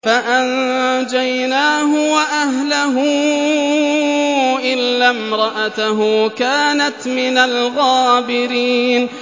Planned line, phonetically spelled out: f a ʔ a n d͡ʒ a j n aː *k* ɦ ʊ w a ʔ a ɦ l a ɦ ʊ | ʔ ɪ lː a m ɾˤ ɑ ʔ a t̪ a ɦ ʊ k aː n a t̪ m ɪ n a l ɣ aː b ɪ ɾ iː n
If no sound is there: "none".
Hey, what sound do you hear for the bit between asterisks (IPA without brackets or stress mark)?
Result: none